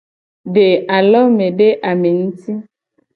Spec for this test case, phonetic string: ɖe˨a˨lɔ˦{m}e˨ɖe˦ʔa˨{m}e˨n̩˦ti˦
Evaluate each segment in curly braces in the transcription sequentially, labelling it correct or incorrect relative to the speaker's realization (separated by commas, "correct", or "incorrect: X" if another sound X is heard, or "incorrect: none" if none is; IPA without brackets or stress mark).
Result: correct, correct